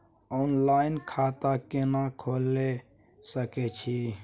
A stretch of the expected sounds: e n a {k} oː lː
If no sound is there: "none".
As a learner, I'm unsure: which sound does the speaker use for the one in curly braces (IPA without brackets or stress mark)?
kʰ